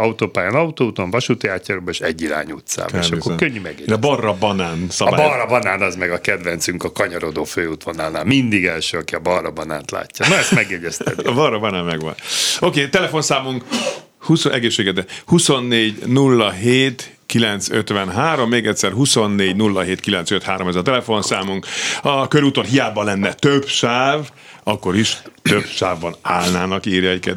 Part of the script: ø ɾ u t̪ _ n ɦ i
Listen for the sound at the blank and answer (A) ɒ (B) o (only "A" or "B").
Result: B